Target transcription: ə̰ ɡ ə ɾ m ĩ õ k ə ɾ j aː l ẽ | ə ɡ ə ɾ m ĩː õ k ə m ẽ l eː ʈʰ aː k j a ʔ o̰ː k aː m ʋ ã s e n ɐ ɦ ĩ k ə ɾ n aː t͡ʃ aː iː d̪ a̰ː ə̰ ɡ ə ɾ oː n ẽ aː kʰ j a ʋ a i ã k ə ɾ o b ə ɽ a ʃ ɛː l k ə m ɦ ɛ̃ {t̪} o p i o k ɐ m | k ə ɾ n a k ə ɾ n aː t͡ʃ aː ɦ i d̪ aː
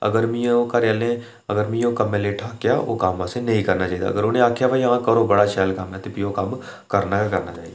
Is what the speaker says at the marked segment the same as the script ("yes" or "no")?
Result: yes